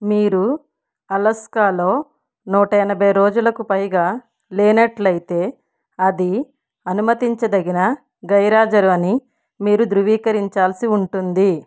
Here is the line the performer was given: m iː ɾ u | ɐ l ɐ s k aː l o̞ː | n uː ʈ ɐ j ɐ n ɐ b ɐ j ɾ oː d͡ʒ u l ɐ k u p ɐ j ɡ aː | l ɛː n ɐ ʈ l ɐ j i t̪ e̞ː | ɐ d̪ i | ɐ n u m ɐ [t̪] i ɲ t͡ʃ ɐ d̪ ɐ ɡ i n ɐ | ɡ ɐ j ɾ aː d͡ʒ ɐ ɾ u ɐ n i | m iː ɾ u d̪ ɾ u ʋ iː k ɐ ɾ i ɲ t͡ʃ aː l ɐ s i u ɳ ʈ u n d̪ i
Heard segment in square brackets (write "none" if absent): t̪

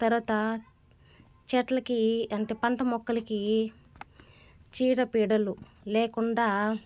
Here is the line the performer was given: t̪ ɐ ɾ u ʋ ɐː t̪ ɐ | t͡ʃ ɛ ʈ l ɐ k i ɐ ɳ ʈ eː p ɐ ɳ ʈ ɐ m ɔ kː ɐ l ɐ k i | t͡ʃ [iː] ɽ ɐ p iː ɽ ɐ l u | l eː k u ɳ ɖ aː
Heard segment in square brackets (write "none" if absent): iː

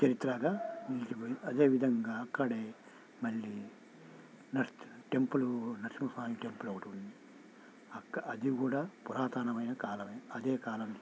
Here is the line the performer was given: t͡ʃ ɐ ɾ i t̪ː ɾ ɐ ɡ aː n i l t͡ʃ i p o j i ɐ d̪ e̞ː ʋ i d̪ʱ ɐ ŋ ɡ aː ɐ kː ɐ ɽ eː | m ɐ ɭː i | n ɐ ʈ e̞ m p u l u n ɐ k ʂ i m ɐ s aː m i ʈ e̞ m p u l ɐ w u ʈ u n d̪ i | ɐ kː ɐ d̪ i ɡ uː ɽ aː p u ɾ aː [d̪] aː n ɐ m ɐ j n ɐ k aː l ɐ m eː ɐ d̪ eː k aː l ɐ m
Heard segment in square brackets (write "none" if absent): t̪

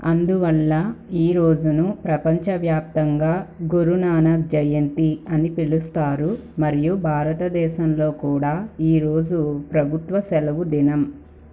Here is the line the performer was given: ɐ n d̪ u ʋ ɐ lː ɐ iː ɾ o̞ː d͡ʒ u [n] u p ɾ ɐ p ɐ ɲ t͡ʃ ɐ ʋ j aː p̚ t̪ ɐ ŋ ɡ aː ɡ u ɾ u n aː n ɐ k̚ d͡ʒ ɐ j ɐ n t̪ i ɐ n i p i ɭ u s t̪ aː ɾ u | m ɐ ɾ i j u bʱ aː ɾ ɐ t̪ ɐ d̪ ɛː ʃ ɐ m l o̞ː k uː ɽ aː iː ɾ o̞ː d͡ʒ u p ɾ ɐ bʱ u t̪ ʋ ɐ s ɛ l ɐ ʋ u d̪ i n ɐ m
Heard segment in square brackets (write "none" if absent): n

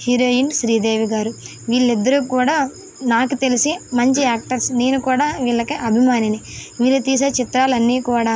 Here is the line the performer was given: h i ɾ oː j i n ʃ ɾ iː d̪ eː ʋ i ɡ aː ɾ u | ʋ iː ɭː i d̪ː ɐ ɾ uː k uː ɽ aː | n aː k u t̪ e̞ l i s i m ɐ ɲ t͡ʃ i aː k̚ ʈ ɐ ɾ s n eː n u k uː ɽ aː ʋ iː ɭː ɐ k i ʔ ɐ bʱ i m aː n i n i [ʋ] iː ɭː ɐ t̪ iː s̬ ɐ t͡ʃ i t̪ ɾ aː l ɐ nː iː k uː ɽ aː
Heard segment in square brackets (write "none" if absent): ʋ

